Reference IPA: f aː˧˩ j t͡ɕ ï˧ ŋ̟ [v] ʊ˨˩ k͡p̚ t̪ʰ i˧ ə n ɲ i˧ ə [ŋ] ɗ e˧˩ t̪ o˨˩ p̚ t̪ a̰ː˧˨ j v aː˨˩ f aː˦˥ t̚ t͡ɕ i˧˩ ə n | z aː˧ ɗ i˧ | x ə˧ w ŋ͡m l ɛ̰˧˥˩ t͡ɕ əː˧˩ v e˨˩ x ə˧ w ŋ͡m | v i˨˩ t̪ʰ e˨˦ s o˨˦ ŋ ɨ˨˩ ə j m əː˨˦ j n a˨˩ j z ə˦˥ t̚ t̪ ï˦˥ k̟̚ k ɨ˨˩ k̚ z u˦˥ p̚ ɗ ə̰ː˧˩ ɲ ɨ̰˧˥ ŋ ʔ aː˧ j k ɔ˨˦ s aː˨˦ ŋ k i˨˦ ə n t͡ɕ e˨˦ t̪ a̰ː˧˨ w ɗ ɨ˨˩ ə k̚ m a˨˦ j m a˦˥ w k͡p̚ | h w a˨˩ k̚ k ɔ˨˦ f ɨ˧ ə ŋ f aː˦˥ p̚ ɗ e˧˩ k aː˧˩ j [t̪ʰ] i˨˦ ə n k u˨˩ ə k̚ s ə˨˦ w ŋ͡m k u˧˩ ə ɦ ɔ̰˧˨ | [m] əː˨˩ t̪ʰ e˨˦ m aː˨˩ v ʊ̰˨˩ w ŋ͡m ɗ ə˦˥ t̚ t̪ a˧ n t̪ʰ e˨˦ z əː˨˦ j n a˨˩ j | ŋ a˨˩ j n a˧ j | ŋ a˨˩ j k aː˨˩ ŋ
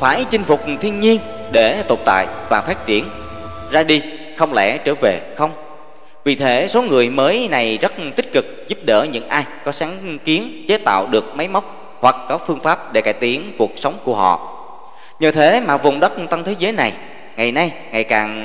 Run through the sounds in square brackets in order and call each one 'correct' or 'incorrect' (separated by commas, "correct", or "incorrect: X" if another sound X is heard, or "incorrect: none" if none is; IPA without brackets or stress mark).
incorrect: f, incorrect: n, incorrect: t̪, incorrect: ɲ